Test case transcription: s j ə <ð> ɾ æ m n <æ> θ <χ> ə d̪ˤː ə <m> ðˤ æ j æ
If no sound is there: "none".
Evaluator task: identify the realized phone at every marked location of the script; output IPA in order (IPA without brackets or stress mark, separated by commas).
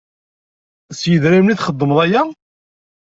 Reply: ð, i, χ, m